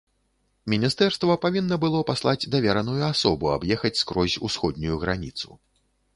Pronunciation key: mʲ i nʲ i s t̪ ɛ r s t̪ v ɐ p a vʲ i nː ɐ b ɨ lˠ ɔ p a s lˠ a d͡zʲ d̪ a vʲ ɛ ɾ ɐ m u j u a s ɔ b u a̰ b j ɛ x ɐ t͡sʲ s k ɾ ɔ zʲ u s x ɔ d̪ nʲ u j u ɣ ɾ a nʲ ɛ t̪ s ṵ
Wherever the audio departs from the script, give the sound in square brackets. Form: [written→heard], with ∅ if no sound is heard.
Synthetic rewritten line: mʲ i nʲ i s t̪ ɛ r s t̪ v ɐ p a vʲ i nː ɐ b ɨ lˠ ɔ p a s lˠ a d͡zʲ d̪ a vʲ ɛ ɾ ɐ [m→n] u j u a s ɔ b u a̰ b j ɛ x ɐ t͡sʲ s k ɾ ɔ zʲ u s x ɔ d̪ nʲ u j u ɣ ɾ a nʲ [ɛ→i] t̪ s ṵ